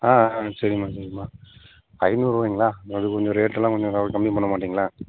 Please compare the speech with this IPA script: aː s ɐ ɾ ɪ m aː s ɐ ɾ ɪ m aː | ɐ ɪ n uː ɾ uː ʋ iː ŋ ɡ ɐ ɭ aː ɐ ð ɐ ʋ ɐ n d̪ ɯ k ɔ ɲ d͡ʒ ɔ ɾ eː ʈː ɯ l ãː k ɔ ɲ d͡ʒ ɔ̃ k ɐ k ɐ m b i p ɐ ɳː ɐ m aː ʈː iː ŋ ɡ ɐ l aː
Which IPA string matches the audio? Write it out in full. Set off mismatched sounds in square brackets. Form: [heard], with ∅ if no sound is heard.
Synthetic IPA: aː s ɐ ɾ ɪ m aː s ɐ ɾ ɪ m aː | ɐ ɪ n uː ɾ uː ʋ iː ŋ ɡ ɐ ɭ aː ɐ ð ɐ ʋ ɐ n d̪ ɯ k ɔ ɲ d͡ʒ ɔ ɾ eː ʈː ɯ l ãː k ɔ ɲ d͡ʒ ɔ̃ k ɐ k ɐ m b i p ɐ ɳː ɐ m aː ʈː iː ŋ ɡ ɐ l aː